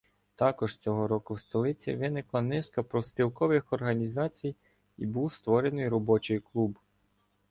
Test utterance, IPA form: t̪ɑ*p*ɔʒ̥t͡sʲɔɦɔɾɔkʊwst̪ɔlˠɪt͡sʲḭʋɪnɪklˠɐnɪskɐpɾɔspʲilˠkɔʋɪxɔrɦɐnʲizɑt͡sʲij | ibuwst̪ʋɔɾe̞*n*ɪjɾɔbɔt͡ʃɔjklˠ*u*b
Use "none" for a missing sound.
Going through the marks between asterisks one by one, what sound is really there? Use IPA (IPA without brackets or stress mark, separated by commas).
k, n, u